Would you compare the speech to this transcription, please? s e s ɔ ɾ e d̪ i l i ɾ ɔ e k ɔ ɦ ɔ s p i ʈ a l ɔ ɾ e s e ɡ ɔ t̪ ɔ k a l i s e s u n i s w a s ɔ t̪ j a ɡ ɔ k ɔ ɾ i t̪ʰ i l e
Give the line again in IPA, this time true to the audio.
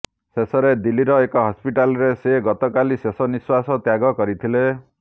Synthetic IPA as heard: s e s ɔ ɾ e d̪ i l i ɾ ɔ e k ɔ ɦ ɔ s p i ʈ a l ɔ ɾ e s e ɡ ɔ t̪ ɔ k a l i s e s ɔ n i s w a s ɔ t̪ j a ɡ ɔ k ɔ ɾ i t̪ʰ i l e